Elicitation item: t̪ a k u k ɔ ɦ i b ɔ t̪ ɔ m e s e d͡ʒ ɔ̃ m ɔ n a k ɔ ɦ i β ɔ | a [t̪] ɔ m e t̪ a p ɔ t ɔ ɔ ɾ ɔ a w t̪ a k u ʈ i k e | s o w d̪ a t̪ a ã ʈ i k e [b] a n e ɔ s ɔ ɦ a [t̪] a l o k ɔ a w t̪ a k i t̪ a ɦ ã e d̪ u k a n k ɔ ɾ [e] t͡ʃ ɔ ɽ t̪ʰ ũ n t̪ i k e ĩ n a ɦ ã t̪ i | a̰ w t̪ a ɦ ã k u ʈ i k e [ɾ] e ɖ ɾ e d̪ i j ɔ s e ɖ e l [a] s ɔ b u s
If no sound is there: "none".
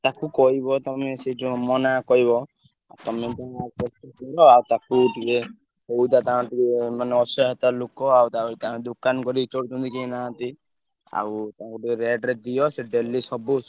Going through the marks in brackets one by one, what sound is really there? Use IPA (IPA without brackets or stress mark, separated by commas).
t̪, m, t̪, i, ɾ, i